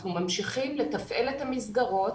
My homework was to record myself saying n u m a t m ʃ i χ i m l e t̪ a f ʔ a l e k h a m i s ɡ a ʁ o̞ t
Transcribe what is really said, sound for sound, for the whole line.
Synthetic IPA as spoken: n u m a m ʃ i χ i m l e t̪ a f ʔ e l e t h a m i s ɡ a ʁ o̞ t